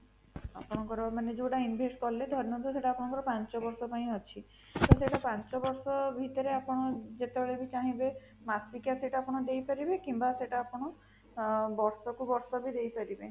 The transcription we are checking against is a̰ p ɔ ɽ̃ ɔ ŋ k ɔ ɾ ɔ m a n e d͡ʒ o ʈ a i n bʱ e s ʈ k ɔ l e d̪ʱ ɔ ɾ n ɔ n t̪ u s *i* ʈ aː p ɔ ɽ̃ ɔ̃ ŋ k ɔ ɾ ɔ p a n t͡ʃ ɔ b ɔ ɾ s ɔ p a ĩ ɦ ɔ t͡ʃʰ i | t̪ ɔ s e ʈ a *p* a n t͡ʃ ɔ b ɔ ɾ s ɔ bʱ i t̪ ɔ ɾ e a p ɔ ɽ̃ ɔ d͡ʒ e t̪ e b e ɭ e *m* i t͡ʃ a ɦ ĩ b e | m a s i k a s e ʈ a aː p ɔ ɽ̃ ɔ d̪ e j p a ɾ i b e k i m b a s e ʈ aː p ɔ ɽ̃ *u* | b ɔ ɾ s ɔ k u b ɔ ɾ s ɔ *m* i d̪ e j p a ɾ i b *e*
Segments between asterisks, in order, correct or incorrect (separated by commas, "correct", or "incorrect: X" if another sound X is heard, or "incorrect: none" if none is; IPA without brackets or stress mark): incorrect: e, correct, incorrect: b, incorrect: ɔ, incorrect: b, correct